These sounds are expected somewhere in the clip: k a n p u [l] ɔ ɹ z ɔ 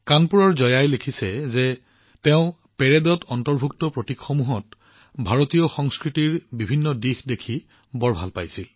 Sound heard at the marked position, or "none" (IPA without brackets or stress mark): ɹ